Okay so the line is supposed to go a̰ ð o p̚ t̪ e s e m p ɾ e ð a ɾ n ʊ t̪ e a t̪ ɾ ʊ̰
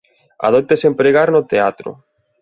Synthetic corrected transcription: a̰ ð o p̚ t̪ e s e m p ɾ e ɣ a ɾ n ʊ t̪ e a t̪ ɾ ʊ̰